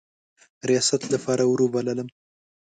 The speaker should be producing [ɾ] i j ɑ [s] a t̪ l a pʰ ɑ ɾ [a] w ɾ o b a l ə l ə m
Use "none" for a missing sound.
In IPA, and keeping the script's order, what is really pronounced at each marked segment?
ɾ, s, a

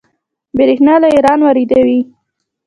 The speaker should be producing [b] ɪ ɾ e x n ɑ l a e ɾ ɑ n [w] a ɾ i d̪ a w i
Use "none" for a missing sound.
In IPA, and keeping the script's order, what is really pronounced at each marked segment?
b, w

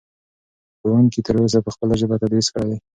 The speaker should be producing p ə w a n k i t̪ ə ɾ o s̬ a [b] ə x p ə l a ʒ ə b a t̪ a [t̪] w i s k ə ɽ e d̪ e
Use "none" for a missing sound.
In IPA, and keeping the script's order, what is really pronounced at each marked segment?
p, d̪

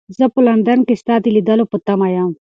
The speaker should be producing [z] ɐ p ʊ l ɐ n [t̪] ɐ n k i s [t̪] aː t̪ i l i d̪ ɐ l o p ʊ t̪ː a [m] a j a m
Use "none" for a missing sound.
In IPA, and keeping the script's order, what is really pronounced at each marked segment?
z, d̪, t̪, m

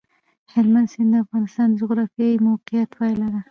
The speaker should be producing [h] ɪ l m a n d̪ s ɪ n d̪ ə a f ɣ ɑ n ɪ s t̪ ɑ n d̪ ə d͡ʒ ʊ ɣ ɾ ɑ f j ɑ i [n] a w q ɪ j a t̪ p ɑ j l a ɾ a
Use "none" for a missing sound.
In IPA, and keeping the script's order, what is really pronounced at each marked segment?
h, m

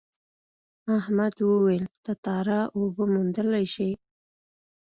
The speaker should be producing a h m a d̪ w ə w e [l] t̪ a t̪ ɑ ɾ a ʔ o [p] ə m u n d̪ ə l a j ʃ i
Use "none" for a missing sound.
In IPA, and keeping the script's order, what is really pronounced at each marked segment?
l, b

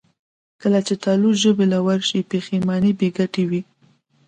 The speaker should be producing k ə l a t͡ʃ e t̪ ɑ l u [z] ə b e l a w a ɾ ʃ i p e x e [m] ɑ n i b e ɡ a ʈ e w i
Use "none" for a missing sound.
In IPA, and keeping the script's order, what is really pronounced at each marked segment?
ʒ, m

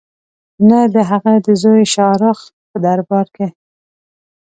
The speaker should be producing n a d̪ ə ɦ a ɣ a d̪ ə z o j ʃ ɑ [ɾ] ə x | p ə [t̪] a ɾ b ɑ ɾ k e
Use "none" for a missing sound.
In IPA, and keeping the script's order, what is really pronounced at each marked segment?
ɾ, d̪

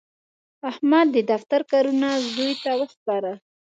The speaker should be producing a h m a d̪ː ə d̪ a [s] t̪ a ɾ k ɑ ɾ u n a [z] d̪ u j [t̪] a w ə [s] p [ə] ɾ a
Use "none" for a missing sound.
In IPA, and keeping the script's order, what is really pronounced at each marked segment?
f, z, t̪, x, ɑ

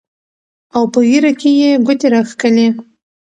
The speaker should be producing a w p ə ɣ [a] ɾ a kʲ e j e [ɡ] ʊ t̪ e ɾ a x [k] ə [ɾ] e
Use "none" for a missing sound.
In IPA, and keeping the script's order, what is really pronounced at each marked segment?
i, ɡ, k, l

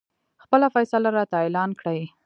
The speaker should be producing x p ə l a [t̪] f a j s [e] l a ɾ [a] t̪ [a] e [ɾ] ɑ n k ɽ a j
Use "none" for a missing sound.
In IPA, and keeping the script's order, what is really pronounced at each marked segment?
none, a, ɑ, a, l

